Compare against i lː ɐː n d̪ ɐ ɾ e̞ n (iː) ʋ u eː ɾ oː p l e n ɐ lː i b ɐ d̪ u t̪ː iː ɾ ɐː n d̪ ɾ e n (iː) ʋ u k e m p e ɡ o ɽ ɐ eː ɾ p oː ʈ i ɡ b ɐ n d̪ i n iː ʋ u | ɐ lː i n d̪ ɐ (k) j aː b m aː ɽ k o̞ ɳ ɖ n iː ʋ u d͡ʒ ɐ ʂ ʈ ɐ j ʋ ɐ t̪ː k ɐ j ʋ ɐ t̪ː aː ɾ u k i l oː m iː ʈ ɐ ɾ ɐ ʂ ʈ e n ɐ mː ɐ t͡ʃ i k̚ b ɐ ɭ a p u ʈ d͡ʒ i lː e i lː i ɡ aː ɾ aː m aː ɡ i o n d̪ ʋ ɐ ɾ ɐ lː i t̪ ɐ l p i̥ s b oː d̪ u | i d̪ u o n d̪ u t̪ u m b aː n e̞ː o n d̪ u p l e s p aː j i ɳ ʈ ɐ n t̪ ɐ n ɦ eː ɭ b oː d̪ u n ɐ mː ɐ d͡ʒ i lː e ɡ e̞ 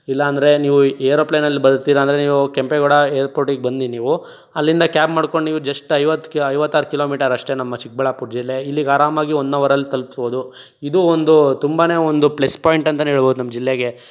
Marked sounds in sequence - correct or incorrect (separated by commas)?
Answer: correct, correct, correct